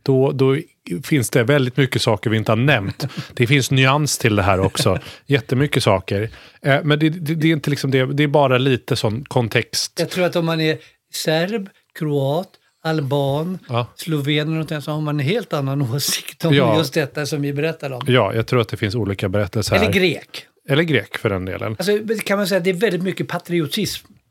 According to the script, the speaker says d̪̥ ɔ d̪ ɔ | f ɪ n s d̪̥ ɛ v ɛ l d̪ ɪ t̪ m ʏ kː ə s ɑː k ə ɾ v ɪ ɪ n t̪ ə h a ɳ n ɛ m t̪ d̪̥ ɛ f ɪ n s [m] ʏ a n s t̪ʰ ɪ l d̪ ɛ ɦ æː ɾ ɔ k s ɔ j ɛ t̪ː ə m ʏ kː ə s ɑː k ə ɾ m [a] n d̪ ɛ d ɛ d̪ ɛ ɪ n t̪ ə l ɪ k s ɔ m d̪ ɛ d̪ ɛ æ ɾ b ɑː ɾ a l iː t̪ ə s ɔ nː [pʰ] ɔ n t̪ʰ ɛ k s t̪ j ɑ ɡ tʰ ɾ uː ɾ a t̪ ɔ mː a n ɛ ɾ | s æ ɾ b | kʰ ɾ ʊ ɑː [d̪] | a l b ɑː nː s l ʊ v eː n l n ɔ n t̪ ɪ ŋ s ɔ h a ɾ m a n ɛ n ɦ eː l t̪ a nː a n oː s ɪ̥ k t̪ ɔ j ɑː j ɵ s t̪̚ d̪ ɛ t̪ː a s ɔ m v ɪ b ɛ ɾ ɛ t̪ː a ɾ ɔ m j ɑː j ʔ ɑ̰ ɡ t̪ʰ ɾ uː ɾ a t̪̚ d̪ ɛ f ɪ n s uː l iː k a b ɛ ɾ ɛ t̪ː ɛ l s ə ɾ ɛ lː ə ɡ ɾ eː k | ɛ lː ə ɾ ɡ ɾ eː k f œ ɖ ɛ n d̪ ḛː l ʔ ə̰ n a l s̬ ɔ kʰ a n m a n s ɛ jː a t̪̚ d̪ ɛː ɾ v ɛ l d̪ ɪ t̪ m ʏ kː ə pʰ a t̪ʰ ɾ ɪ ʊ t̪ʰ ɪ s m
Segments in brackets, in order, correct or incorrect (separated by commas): incorrect, incorrect, incorrect, incorrect